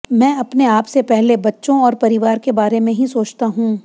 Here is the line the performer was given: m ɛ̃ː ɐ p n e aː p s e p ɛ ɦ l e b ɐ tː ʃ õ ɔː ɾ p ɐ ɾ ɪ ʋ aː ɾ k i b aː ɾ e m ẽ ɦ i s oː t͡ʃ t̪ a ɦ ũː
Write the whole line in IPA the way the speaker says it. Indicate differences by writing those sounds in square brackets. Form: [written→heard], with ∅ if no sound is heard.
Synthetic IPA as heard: m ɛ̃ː ɐ p n e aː p s e p ɛ ɦ l e b ɐ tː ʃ õ ɔː ɾ p ɐ ɾ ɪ ʋ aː ɾ k [i→e] b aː ɾ e m ẽ ɦ i s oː t͡ʃ t̪ a ɦ ũː